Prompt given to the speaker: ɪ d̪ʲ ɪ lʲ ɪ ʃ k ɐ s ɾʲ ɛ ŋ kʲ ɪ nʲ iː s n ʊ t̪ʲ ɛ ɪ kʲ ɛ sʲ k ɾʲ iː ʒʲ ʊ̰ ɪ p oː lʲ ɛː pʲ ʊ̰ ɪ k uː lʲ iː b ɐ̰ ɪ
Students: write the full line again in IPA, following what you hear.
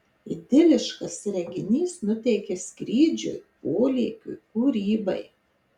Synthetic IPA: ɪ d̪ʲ ɪ lʲ ɪ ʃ k ɐ s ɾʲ ɛ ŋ ɡʲ ɪ nʲ iː s n ʊ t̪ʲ ɛ ɪ kʲ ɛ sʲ k ɾʲ iː d͡ʒʲ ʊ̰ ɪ p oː lʲ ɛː kʲ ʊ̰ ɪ k uː ɾʲ iː b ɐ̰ ɪ